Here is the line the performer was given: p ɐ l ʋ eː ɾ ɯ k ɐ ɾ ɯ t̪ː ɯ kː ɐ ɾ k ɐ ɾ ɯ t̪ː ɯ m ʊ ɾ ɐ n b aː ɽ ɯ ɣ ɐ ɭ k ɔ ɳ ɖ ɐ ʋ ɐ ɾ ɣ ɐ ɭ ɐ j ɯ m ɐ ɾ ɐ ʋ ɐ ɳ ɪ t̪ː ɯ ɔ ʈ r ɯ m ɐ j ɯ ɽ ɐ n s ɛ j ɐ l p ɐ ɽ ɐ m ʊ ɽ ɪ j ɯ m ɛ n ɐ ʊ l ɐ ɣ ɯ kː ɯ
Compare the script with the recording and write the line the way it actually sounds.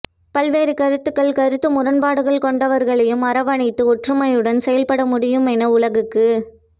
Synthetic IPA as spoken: p ɐ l ʋ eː ɾ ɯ k ɐ ɾ ɯ t̪ː ɯ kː ɐ ɭ k ɐ ɾ ɯ t̪ː ɯ m ʊ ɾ ɐ n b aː ɽ ɯ ɣ ɐ ɭ k ɔ ɳ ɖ ɐ ʋ ɐ ɾ ɣ ɐ ɭ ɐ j ɯ m ɐ ɾ ɐ ʋ ɐ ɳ ɪ t̪ː ɯ ɔ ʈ r ɯ m ɐ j ɯ ɽ ɐ n s ɛ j ɐ l p ɐ ɽ ɐ m ʊ ɽ ɪ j ɯ m ɛ n ɐ ʊ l ɐ ɣ ɯ kː ɯ

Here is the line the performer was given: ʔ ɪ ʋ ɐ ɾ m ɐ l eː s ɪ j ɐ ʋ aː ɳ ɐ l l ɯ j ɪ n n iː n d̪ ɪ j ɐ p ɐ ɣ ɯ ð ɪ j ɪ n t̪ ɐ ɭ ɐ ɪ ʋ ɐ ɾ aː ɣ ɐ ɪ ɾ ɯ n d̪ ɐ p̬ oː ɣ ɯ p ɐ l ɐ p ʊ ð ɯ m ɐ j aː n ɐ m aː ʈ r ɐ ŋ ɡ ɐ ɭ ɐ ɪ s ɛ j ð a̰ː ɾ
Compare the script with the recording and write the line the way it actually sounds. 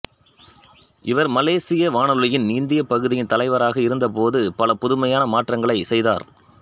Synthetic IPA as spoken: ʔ ɪ ʋ ɐ ɾ m ɐ l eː s ɪ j ɐ ʋ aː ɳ ɐ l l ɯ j ɪ n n iː n d̪ ɪ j ɐ p ɐ ɣ ɯ ð ɪ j ɪ n t̪ ɐ l ɐ ɪ ʋ ɐ ɾ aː ɣ ɐ ɪ ɾ ɯ n d̪ ɐ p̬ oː ð ɯ p ɐ l ɐ p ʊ ð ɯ m ɐ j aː n ɐ m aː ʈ r ɐ ŋ ɡ ɐ ɭ ɐ ɪ s ɛ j ð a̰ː ɾ

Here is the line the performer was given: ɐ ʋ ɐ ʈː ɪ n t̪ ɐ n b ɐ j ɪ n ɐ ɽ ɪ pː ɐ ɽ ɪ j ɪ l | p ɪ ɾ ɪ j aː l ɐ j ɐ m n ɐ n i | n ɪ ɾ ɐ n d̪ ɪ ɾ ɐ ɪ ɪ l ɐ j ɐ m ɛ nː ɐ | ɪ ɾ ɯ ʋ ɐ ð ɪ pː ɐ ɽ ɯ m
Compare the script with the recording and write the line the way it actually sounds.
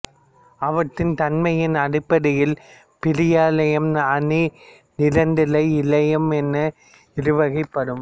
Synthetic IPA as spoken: ɐ ʋ ɐ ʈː ɪ n t̪ ɐ n m ɐ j ɪ n ɐ ɽ ɪ pː ɐ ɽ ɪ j ɪ l | p ɪ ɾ ɪ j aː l ɐ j ɐ m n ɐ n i | n ɪ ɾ ɐ n d̪ ɪ l ɐ ɪ ɪ l ɐ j ɐ m ɛ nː ɐ | ɪ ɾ ɯ ʋ ɐ ɣ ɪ pː ɐ ɽ ɯ m

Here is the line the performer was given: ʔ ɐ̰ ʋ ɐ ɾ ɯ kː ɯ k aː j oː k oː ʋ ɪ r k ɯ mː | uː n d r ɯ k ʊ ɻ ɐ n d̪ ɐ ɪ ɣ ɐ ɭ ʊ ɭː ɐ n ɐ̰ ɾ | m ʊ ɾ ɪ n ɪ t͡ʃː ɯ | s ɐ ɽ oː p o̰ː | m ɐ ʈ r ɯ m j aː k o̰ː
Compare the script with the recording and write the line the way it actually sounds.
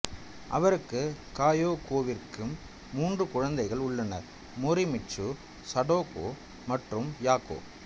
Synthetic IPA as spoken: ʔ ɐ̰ ʋ ɐ ɾ ɯ kː ɯ k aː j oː k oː ʋ ɪ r k ɯ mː | uː n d r ɯ k ʊ ɻ ɐ n d̪ ɐ ɪ ɣ ɐ ɭ ʊ ɭː ɐ n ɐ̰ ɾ | m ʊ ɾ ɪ m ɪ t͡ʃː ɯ | s ɐ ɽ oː k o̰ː | m ɐ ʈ r ɯ m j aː k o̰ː

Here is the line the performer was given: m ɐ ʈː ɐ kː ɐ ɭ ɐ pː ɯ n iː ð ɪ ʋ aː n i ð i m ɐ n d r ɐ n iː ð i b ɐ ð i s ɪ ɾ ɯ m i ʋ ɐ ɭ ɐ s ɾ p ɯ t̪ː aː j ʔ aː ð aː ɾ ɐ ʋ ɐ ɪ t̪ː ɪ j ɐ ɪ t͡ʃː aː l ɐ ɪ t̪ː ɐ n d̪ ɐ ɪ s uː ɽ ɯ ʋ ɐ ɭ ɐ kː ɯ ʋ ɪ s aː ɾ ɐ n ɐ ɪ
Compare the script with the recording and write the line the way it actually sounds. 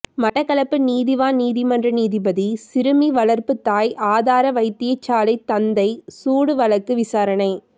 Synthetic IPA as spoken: m ɐ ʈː ɐ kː ɐ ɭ ɐ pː ɯ n iː ð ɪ ʋ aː n iː ð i m ɐ n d r ɐ n iː ð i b ɐ ð i s ɪ ɾ ɯ m i ʋ ɐ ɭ ɐ ɾ p ɯ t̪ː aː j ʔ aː ð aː ɾ ɐ ʋ ɐ ɪ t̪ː ɪ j ɐ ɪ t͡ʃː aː l ɐ ɪ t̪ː ɐ n d̪ ɐ ɪ s uː ɽ ɯ ʋ ɐ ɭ ɐ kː ɯ ʋ ɪ s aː ɾ ɐ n ɐ ɪ

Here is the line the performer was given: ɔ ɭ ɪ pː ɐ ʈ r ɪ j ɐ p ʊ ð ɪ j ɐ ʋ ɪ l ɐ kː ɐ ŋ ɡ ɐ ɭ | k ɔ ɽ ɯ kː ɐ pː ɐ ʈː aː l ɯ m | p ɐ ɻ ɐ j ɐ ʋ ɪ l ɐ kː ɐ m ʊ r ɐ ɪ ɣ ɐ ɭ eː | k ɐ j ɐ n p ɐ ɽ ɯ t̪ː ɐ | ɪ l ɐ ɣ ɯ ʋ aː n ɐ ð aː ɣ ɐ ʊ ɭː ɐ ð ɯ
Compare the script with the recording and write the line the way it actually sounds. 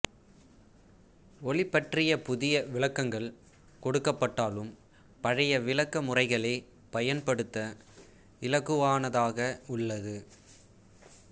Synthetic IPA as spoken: ɔ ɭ ɪ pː ɐ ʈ r ɪ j ɐ p ʊ ð ɪ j ɐ ʋ ɪ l ɐ kː ɐ ŋ ɡ ɐ ɭ | k ɔ ɽ ɯ kː ɐ pː ɐ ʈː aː l ɯ m | p ɐ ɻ ɐ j ɐ ʋ ɪ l ɐ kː ɐ m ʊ r ɐ ɪ ɣ ɐ ɭ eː | p ɐ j ɐ n p ɐ ɽ ɯ t̪ː ɐ | ɪ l ɐ ɣ ɯ ʋ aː n ɐ ð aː ɣ ɐ ʊ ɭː ɐ ð ɯ

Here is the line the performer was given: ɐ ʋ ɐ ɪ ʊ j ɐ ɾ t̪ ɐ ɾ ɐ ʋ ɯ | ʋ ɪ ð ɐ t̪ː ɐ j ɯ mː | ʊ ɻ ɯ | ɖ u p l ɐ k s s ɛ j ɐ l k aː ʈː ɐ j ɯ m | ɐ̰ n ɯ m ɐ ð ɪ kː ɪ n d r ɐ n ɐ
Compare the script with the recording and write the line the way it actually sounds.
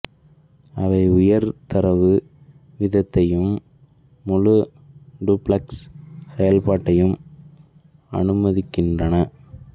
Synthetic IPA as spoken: ɐ ʋ ɐ ɪ ʊ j ɐ ɾ t̪ ɐ ɾ ɐ ʋ ɯ | ʋ ɪ ð ɐ t̪ː ɐ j ɯ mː | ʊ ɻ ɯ | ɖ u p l ɐ k s s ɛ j ɐ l p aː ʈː ɐ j ɯ m | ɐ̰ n ɯ m ɐ ð ɪ kː ɪ n d r ɐ n ɐ

